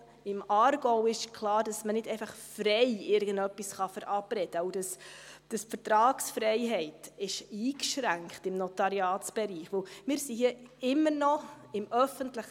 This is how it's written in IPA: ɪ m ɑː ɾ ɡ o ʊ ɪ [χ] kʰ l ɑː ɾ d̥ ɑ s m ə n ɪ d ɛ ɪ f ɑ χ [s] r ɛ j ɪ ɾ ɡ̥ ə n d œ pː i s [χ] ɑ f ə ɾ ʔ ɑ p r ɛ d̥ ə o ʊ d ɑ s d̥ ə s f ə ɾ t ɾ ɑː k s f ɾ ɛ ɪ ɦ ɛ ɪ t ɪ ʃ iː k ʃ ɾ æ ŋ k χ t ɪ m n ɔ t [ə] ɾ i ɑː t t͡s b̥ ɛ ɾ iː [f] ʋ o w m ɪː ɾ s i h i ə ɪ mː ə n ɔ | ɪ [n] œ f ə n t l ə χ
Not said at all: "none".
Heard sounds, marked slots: ʃ, f, χ, ɑ, χ, m

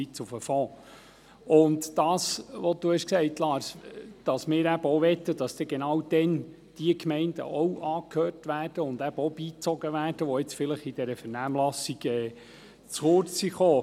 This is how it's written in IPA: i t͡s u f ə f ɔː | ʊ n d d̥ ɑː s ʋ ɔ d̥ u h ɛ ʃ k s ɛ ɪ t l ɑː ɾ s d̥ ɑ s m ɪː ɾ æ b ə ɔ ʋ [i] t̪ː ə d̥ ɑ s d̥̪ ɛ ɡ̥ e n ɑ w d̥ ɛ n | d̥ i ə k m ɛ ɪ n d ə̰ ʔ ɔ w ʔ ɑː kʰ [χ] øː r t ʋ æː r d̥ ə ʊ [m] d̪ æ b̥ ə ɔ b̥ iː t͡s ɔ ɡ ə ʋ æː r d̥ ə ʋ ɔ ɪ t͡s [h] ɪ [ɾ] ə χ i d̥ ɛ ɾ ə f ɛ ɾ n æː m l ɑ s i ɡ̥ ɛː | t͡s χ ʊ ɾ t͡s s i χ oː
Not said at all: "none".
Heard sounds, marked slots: ɛ, h, n, f, l

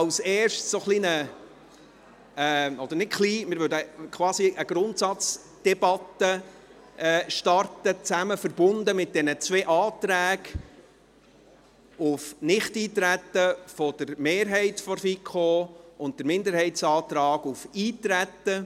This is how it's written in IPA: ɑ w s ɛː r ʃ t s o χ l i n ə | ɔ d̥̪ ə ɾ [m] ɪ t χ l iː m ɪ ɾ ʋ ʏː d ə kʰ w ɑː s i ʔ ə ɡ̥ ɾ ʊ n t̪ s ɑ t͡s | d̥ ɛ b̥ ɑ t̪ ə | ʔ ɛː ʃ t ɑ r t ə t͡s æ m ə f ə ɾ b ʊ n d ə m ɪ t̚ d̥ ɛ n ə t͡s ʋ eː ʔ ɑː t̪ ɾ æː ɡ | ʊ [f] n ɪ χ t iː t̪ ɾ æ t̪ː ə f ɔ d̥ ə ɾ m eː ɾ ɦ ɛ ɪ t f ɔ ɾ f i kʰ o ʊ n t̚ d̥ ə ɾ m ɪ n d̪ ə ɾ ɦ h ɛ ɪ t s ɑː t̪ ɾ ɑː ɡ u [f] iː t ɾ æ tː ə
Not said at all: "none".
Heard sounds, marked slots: n, f, f

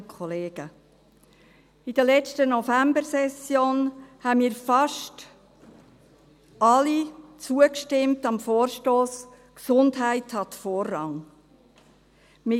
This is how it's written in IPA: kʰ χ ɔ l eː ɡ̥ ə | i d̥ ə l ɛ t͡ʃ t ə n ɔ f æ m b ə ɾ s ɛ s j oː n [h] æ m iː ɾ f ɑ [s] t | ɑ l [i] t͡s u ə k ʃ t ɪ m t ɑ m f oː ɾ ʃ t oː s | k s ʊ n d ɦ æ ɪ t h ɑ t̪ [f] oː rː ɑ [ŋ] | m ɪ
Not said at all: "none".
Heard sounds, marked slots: h, ʃ, i, f, ŋ

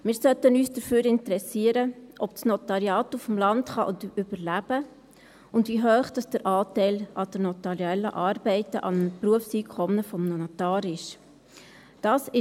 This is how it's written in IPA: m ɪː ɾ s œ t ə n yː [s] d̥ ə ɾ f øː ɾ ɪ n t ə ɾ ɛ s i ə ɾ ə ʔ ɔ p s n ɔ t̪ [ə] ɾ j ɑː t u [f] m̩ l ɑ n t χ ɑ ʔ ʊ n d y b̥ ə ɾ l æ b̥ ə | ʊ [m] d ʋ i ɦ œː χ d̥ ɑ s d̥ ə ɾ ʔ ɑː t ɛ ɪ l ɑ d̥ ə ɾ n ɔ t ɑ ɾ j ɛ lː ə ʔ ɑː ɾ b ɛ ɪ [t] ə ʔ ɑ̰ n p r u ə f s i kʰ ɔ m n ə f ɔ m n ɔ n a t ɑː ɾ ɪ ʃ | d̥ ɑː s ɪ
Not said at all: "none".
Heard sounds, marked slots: s, ɑ, f, n, t

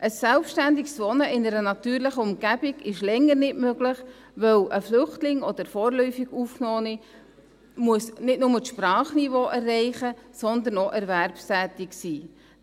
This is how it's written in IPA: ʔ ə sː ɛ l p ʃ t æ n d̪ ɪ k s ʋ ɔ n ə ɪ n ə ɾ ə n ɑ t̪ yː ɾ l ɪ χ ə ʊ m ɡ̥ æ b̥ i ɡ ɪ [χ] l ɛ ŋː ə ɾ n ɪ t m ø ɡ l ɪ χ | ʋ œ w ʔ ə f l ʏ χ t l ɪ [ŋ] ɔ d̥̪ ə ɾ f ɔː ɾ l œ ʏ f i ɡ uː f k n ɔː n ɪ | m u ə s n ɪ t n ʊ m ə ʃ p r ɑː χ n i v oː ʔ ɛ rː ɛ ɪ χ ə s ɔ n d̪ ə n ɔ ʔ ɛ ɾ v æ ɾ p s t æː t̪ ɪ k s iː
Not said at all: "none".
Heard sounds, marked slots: ʃ, ŋ

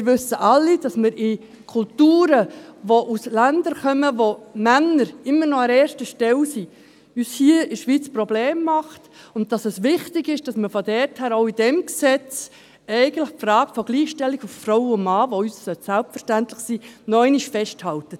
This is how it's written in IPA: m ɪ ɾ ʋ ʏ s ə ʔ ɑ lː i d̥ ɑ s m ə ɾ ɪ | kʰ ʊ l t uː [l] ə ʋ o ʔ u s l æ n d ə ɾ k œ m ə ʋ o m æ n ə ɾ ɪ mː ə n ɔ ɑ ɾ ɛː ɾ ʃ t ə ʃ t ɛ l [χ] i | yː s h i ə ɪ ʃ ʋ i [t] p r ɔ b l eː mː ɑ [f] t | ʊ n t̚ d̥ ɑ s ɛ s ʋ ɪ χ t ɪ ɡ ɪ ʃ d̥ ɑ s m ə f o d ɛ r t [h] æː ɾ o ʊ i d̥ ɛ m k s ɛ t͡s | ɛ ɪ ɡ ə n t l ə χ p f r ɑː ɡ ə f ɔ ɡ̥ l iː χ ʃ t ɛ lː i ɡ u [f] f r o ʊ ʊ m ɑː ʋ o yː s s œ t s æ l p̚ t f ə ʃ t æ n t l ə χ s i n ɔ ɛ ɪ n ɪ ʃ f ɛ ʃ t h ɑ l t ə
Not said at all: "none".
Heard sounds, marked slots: ɾ, s, t͡s, χ, h, f

